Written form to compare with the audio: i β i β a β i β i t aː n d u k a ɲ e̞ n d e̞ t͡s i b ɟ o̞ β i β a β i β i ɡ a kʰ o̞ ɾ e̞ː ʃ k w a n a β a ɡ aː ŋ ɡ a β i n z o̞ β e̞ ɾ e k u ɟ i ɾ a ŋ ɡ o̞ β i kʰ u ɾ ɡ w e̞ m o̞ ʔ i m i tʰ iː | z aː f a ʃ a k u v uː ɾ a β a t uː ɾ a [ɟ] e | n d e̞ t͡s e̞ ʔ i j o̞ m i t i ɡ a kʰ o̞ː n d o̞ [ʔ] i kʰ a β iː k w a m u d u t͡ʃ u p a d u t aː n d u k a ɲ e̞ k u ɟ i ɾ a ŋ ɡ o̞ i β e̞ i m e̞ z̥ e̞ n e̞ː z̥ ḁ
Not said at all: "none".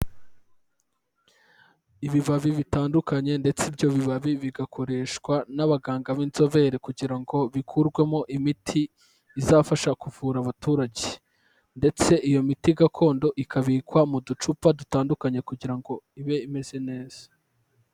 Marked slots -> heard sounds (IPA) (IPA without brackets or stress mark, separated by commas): ɟ, ʔ